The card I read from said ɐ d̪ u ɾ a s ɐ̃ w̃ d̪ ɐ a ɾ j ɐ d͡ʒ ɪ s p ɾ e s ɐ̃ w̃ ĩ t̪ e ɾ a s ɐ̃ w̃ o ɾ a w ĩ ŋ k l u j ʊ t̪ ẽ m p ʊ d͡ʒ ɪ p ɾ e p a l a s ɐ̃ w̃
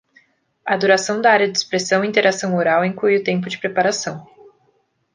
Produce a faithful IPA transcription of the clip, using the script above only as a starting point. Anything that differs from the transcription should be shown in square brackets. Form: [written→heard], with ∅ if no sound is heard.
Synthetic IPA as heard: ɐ d̪ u ɾ a s ɐ̃ w̃ d̪ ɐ a ɾ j ɐ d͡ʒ ɪ s p ɾ e s ɐ̃ w̃ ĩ t̪ e ɾ a s ɐ̃ w̃ o ɾ a w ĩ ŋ k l u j ʊ t̪ ẽ m p ʊ d͡ʒ ɪ p ɾ e p a [l→ɾ] a s ɐ̃ w̃